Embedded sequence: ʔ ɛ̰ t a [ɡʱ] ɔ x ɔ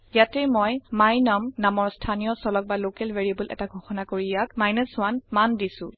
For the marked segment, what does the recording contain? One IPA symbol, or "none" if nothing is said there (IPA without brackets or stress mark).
ɡʱ